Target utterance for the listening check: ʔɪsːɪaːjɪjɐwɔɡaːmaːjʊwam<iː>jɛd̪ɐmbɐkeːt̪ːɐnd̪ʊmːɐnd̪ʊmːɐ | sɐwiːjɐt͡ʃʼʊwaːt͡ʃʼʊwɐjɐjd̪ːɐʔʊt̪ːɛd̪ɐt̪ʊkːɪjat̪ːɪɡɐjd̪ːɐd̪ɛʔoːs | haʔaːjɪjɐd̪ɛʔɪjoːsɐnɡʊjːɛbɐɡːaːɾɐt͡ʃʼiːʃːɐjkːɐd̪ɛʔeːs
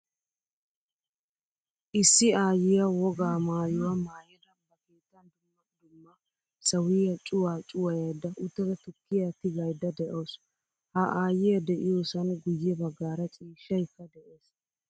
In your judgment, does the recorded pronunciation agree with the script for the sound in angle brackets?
no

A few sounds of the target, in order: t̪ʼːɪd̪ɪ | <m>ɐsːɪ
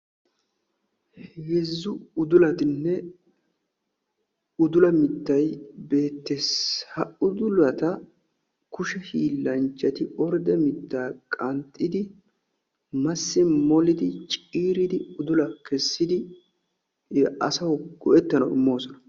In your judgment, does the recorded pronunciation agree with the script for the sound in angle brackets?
yes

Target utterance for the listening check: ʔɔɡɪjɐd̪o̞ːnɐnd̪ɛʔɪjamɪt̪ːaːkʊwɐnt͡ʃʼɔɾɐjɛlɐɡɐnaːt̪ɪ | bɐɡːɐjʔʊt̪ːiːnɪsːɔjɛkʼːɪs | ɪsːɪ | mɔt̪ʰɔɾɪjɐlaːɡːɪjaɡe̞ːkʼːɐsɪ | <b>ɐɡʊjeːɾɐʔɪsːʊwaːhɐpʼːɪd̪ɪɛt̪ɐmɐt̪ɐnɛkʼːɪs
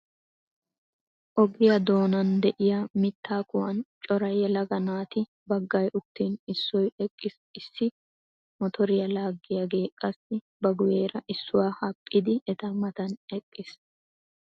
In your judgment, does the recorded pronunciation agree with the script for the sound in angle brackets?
yes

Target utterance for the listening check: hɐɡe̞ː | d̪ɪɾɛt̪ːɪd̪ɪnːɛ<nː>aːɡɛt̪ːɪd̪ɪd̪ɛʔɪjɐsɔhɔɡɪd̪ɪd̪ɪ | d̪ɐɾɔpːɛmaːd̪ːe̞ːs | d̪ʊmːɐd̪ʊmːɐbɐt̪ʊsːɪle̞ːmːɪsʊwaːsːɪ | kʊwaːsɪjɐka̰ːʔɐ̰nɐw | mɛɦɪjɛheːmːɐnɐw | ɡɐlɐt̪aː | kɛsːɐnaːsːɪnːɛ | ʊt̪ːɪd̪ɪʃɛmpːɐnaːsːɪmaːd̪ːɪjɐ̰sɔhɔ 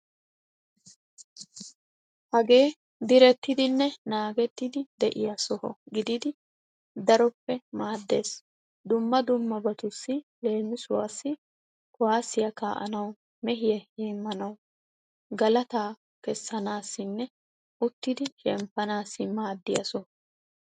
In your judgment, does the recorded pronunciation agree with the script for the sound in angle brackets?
no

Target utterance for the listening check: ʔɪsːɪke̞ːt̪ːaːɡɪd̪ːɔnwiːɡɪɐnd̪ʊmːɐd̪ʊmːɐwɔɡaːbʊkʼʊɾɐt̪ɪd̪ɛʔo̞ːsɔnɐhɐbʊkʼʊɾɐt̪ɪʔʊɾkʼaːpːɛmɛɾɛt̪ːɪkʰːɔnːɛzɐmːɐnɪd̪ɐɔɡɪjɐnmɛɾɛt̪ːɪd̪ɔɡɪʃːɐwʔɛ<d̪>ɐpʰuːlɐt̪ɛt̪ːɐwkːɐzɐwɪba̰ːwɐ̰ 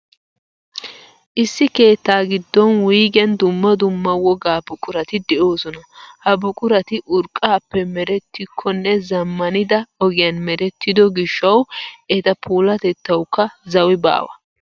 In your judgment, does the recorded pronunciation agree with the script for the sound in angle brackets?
no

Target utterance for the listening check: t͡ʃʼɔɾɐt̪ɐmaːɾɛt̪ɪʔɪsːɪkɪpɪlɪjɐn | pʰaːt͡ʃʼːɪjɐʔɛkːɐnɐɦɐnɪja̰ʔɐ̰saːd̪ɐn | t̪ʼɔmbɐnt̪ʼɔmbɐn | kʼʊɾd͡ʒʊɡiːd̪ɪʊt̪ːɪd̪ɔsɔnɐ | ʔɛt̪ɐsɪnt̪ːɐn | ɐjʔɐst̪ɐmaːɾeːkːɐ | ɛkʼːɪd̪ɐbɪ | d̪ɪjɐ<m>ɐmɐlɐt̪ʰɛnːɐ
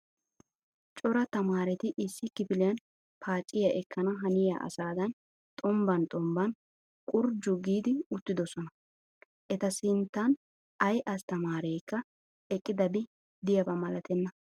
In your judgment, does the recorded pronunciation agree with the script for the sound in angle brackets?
no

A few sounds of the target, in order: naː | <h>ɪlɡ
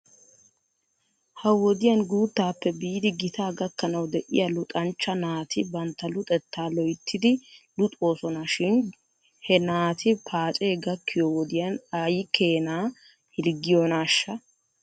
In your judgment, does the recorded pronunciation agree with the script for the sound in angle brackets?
yes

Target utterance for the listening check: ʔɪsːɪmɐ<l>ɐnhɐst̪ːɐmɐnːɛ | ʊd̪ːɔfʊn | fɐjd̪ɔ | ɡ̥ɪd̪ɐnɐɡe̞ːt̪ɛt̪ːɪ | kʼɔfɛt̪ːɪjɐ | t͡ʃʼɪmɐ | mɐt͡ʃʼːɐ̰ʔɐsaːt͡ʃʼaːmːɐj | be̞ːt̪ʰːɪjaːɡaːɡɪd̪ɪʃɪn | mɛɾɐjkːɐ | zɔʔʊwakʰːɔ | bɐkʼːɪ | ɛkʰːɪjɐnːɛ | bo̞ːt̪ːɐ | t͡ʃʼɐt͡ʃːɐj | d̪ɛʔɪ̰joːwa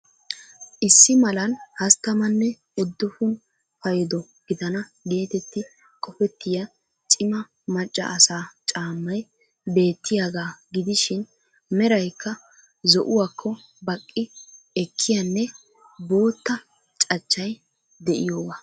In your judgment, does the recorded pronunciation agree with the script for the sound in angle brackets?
yes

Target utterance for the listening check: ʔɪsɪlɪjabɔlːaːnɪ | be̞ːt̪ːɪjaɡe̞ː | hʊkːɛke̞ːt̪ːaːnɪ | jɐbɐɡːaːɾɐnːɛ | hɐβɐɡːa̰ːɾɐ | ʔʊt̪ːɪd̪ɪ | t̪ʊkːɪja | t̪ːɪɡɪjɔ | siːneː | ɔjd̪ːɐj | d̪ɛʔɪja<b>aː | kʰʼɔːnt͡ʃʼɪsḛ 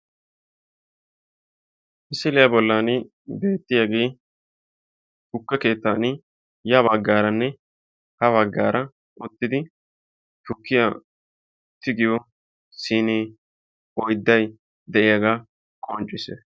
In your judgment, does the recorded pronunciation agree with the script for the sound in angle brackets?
no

